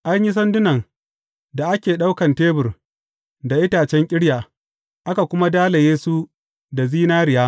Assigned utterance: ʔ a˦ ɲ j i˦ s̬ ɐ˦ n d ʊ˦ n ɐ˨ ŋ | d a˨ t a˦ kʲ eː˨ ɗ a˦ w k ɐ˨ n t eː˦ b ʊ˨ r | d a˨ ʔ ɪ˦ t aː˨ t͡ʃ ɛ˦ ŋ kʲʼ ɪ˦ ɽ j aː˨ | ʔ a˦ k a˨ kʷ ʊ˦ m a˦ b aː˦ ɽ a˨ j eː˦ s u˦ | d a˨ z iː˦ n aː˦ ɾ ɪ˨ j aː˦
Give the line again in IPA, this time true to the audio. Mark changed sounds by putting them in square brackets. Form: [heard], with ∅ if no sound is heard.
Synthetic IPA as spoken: ʔ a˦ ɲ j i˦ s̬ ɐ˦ n d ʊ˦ n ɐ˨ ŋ | d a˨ [ʔ] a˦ kʲ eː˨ ɗ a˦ w k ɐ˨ n t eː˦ b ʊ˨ r | d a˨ ʔ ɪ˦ t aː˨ t͡ʃ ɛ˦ ŋ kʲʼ ɪ˦ ɽ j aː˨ | ʔ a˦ k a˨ kʷ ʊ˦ m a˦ [d] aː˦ [l] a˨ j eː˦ s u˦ | d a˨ z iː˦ n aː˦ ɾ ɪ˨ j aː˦